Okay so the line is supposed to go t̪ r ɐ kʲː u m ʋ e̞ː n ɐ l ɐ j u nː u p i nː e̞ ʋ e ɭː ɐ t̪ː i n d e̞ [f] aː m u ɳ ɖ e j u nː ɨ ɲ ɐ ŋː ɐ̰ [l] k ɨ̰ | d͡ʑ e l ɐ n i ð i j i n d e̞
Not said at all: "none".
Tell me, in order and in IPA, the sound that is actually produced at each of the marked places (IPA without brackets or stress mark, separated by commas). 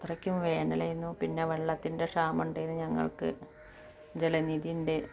ʂ, ɭ